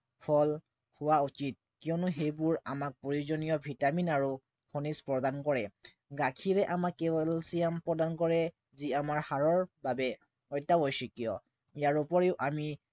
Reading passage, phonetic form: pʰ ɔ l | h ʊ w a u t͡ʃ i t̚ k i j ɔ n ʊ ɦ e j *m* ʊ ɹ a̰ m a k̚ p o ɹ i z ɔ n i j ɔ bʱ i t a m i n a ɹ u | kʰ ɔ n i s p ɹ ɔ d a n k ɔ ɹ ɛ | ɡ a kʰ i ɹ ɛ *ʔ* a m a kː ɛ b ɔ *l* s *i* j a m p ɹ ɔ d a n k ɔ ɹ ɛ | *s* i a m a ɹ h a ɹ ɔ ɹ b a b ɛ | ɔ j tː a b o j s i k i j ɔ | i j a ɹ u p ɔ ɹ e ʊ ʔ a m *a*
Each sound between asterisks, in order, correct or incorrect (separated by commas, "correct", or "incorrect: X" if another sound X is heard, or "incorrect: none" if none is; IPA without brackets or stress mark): incorrect: b, correct, correct, correct, incorrect: z, incorrect: i